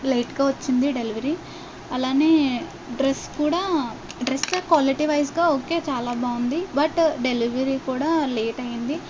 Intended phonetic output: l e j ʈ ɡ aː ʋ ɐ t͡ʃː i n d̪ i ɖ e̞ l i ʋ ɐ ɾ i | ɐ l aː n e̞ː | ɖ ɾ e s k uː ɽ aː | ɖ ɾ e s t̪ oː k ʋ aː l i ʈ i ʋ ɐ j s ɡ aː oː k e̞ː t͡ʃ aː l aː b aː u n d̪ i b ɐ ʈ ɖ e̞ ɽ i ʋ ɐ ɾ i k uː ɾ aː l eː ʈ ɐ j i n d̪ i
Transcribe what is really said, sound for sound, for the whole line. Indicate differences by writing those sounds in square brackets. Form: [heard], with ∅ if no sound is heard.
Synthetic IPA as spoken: l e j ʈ ɡ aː ʋ ɐ t͡ʃː i n d̪ i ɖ e̞ l i ʋ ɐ ɾ i | ɐ l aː n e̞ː | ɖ ɾ e s k uː ɽ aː | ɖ ɾ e s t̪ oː k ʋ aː l i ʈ i ʋ ɐ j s ɡ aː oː k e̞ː t͡ʃ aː l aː b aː u n d̪ i b ɐ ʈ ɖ e̞ [l] i ʋ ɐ ɾ i k uː [ɽ] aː l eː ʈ ɐ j i n d̪ i